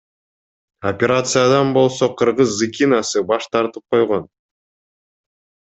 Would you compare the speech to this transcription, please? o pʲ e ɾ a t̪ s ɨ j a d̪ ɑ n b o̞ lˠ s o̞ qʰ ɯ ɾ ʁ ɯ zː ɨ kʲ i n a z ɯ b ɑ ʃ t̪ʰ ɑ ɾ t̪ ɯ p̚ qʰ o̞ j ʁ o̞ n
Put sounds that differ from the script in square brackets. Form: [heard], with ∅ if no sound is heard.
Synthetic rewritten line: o pʲ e ɾ a t̪ s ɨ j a d̪ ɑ n b o̞ lˠ s o̞ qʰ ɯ ɾ ʁ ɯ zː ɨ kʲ i n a [s] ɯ b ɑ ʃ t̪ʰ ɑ ɾ t̪ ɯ p̚ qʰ o̞ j ʁ o̞ n